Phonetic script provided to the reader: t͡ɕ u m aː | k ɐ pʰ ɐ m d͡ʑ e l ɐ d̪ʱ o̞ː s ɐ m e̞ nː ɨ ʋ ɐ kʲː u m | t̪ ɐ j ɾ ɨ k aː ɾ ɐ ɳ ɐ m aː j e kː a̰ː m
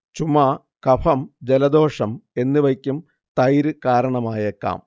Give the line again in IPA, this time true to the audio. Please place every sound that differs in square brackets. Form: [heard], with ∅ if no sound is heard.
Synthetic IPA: t͡ɕ u m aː | k ɐ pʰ ɐ m d͡ʑ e l ɐ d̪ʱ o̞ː [ʂ] ɐ m e̞ nː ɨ ʋ ɐ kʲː u m | t̪ ɐ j ɾ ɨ k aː ɾ ɐ ɳ ɐ m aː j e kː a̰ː m